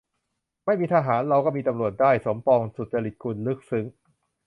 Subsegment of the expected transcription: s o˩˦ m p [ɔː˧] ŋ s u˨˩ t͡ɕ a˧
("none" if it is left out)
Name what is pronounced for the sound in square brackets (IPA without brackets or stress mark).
ɔː˧